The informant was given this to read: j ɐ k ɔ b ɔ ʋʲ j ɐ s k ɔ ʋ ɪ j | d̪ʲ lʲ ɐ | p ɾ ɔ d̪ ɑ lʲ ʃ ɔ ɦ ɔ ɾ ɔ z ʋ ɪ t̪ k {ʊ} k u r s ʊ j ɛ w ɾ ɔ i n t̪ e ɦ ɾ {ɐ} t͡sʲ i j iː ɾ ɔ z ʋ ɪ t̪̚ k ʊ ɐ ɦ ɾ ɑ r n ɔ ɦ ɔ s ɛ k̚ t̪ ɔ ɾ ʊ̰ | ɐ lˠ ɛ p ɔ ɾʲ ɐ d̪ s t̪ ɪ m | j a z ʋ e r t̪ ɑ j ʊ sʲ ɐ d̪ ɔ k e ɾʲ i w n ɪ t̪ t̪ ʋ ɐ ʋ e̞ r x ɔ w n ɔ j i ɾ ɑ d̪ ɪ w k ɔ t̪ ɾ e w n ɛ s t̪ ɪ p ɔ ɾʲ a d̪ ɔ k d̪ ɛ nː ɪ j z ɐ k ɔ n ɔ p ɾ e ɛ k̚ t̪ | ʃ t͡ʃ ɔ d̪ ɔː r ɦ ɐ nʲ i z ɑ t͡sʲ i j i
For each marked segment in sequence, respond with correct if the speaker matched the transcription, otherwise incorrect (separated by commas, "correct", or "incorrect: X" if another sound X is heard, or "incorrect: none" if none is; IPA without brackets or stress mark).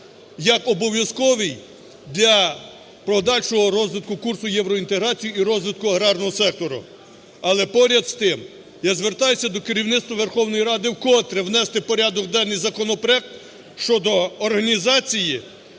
correct, incorrect: ɑ